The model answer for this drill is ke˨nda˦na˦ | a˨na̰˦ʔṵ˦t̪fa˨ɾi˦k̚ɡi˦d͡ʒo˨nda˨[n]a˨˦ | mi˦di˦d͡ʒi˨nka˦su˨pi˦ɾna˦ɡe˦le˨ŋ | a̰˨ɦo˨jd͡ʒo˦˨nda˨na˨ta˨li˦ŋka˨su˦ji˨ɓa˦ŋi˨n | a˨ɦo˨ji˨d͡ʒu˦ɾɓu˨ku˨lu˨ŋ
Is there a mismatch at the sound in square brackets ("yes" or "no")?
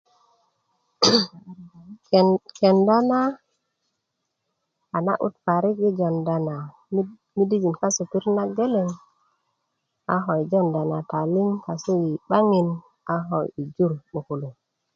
no